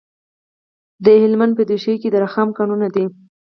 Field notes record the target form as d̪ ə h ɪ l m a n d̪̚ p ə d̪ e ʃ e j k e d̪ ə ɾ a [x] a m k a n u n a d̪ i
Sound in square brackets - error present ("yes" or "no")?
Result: no